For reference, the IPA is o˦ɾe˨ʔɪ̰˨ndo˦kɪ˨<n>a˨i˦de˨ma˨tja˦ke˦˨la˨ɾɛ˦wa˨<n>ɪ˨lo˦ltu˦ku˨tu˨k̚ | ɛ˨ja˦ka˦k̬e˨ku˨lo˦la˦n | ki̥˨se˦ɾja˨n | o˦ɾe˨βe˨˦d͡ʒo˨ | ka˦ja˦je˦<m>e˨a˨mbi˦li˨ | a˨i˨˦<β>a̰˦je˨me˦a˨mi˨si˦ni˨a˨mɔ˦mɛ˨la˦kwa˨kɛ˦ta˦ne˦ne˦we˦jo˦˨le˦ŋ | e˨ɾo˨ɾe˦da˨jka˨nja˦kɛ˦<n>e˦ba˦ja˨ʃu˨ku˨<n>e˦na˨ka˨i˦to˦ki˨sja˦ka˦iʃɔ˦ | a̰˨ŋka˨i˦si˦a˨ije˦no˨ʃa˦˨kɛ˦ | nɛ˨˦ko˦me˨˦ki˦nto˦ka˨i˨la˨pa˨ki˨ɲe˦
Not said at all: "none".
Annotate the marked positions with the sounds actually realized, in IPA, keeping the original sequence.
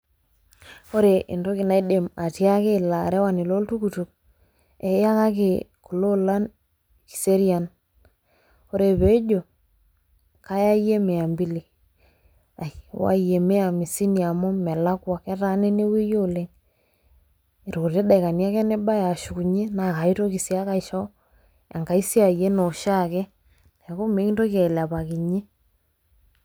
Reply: n, n, m, w, n, ɲ

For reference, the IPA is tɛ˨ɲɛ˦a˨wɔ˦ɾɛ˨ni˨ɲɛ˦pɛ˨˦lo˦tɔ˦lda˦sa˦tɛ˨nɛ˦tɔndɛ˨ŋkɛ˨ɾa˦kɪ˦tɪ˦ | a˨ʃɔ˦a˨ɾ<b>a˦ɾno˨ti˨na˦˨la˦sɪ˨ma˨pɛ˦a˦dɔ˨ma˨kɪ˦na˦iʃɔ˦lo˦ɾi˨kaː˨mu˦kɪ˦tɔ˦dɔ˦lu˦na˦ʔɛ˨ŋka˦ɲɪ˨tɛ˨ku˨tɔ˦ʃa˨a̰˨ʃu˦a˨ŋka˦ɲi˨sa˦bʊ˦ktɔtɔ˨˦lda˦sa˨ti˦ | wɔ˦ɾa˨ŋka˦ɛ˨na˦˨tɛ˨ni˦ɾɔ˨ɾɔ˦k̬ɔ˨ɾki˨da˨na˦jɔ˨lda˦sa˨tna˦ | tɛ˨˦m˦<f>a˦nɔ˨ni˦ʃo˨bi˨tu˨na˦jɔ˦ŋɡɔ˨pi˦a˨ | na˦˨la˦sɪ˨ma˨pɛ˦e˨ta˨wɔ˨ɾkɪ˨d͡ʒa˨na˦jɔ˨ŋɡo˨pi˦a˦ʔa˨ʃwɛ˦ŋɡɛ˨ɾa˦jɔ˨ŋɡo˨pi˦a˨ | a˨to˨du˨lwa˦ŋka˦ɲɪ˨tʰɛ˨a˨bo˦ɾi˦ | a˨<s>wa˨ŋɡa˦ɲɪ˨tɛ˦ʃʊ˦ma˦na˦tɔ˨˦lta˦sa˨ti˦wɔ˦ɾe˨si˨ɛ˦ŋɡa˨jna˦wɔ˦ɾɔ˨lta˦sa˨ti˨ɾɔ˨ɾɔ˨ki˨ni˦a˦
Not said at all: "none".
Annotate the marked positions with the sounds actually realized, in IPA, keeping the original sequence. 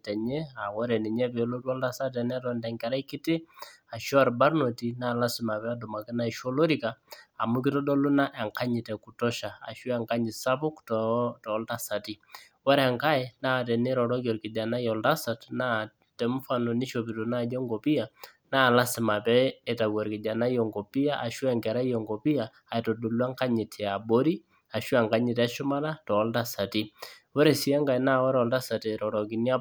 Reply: b, f, ʃ

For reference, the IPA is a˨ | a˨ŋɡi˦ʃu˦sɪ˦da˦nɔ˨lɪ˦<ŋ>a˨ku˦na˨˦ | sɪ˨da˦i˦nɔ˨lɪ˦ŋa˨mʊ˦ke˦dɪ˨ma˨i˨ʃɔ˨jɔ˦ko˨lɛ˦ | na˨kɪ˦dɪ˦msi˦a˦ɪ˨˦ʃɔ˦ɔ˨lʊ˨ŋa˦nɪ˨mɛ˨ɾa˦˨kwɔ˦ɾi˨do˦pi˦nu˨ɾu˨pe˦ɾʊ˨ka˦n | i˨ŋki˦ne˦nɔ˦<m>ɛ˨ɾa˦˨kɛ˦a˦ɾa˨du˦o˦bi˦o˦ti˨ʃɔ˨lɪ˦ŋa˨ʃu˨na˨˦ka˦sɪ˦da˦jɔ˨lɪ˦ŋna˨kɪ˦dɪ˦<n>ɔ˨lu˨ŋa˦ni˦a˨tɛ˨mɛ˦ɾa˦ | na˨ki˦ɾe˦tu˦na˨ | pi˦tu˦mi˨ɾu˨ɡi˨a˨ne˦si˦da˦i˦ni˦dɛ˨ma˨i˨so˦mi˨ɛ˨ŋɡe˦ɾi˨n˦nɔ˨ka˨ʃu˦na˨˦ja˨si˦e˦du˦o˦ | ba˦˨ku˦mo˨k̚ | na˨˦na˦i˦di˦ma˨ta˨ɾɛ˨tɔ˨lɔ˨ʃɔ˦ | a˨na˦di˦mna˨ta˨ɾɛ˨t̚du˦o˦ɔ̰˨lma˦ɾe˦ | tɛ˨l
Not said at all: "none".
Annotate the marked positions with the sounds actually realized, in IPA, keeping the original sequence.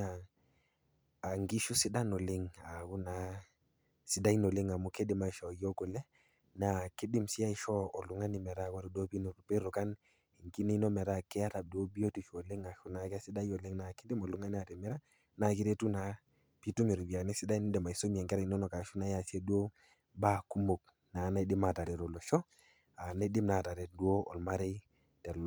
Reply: ŋ, m, m

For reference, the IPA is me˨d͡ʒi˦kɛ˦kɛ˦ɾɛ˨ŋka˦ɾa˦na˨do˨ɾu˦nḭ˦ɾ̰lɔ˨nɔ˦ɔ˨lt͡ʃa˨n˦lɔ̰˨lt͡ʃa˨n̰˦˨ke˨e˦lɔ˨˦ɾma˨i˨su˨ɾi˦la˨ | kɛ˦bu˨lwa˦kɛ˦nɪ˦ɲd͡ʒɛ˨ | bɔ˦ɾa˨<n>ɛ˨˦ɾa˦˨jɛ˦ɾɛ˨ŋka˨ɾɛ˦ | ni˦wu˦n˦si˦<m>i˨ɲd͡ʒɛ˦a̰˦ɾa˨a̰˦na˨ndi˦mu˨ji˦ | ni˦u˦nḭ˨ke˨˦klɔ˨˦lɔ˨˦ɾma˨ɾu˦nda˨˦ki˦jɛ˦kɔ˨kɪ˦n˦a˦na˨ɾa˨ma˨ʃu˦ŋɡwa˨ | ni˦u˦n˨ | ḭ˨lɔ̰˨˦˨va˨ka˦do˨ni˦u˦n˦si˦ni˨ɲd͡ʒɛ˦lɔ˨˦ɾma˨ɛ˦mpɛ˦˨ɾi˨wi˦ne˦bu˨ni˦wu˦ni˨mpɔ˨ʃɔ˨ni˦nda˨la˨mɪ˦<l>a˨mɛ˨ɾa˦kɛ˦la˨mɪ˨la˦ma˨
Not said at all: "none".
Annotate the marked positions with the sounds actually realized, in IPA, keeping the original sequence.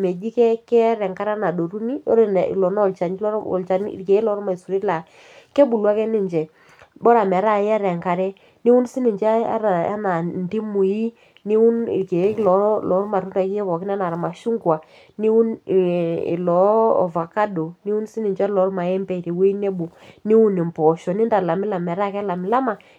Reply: m, n, l

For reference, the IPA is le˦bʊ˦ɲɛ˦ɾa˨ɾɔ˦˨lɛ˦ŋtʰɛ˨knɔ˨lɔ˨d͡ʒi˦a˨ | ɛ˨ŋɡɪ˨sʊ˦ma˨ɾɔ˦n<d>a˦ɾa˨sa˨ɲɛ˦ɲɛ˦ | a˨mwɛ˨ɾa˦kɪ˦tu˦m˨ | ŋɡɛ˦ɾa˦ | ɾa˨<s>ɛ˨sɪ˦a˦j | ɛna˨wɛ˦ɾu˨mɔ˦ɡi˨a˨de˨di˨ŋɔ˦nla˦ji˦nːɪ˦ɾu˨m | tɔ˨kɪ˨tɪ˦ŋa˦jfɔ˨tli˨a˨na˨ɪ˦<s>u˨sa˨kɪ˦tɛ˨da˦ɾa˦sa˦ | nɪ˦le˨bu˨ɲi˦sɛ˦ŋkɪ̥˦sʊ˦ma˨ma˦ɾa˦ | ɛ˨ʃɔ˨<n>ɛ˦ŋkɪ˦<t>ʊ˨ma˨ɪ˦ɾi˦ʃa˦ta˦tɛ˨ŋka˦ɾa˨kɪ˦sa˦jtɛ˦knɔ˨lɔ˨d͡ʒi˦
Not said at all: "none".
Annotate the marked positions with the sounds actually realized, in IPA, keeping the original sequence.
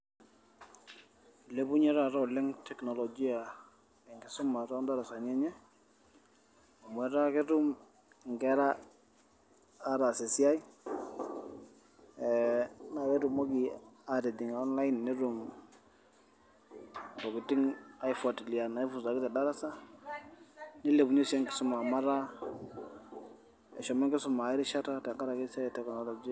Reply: d, s, f, m, s

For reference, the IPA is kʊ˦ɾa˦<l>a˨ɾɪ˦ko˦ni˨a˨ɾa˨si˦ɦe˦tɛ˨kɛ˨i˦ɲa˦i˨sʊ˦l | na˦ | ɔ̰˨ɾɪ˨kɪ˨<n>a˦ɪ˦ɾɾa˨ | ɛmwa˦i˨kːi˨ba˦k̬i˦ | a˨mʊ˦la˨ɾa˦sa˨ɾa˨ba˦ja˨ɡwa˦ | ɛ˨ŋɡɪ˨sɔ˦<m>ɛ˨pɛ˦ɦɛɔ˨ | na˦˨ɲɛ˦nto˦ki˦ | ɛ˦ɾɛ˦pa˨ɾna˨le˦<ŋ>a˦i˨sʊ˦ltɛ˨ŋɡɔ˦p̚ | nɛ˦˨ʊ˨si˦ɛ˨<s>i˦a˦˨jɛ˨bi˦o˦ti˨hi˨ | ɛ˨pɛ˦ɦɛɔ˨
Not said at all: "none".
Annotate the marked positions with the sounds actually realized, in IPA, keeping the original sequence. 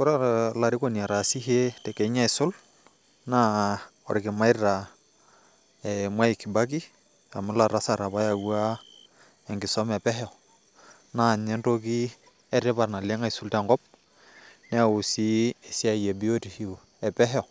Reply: l, m, m, ŋ, s

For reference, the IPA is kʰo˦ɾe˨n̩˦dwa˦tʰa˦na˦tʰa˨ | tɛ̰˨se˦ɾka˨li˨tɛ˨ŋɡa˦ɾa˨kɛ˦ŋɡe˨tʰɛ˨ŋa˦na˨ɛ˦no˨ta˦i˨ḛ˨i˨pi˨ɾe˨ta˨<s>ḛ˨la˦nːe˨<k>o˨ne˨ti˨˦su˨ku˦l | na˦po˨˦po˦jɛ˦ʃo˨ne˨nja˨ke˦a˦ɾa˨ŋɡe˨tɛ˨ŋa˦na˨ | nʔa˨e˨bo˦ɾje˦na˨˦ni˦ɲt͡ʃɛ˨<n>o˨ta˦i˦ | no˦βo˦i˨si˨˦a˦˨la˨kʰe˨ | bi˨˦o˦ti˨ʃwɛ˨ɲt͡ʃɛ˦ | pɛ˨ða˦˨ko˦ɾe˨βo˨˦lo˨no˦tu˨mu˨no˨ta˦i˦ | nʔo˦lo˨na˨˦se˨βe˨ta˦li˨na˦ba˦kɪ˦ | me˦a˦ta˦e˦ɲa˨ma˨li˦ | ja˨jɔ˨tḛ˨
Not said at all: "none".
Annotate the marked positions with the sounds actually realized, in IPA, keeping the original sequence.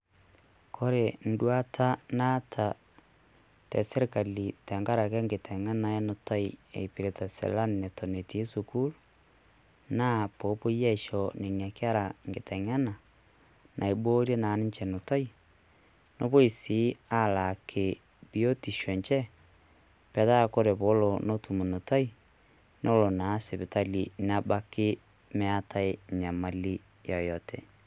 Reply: s, t, n

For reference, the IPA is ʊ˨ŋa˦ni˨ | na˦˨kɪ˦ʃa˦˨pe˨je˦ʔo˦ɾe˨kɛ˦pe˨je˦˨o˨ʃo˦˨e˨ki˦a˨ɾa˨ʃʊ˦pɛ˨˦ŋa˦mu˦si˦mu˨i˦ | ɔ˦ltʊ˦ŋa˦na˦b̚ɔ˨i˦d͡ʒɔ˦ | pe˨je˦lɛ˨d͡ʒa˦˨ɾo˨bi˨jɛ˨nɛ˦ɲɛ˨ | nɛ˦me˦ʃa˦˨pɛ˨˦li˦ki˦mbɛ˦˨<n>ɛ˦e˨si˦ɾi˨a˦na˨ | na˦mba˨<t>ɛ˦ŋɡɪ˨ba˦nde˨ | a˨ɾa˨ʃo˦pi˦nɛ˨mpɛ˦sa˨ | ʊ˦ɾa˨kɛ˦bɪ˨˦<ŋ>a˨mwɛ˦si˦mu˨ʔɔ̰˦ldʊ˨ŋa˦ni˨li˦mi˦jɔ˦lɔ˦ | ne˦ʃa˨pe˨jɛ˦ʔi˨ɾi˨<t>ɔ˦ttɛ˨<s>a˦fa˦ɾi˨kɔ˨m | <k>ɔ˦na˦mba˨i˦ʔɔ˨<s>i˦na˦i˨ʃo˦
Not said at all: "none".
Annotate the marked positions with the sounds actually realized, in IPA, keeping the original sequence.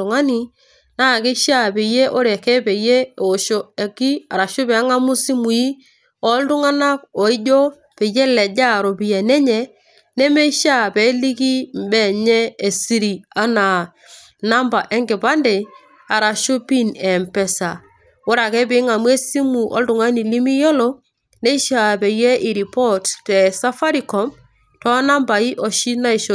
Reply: ɲ, ʔ, ŋ, p, s, t, ʃ

